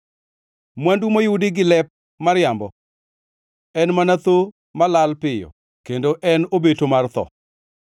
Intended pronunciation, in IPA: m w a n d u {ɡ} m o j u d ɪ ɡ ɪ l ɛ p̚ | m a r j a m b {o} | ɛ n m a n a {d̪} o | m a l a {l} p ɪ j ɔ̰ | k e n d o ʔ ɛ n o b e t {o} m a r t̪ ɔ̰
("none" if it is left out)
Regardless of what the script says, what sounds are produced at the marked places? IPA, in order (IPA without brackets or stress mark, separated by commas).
none, ɔ, t̪, l, o